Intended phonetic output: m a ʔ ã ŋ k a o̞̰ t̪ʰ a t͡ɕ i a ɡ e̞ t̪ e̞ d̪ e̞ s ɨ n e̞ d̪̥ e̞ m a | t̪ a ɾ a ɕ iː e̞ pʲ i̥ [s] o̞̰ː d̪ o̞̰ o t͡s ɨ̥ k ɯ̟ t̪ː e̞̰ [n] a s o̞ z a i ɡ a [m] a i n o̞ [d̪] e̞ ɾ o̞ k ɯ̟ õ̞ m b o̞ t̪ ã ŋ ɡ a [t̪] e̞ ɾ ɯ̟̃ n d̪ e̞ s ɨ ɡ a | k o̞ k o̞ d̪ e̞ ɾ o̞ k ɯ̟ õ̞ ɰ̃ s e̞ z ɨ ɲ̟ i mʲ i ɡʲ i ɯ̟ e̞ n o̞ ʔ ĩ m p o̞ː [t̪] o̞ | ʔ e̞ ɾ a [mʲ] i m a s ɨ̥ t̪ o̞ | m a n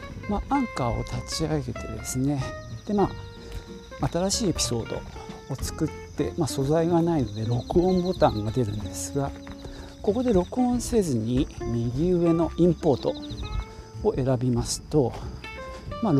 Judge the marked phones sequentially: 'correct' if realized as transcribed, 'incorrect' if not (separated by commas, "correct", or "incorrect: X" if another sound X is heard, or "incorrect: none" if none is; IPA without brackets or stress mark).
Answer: correct, incorrect: m, incorrect: n, correct, incorrect: d̪, correct, incorrect: bʲ